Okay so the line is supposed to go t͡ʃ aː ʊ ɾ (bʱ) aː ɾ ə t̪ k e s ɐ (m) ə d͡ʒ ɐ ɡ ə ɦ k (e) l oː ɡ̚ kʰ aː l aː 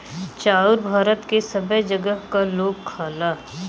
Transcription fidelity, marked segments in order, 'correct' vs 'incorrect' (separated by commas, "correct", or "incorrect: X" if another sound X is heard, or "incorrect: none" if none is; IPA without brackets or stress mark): correct, incorrect: b, incorrect: a